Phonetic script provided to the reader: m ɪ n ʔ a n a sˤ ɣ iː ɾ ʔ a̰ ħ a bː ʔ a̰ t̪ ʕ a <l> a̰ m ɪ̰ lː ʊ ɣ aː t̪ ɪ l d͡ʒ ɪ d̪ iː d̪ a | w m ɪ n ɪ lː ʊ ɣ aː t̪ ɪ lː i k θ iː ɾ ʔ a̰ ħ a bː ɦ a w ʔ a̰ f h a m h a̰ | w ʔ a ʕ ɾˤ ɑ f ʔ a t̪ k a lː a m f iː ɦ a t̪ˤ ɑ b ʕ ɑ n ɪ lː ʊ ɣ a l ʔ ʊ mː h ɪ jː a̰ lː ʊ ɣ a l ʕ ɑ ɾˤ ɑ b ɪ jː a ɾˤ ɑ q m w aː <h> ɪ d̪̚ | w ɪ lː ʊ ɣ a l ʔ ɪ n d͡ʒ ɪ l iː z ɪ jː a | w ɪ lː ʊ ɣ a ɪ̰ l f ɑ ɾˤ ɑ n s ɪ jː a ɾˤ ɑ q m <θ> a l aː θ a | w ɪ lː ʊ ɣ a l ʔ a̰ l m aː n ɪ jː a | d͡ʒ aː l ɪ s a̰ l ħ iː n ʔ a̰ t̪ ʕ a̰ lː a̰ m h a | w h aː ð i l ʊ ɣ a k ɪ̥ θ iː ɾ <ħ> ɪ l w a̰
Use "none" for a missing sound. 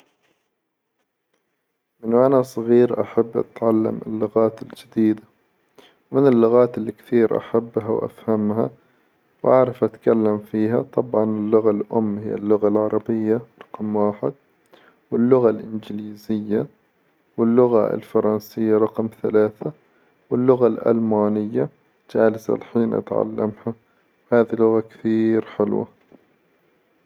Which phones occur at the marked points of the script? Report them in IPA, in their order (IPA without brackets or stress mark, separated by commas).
lː, ħ, θ, ħ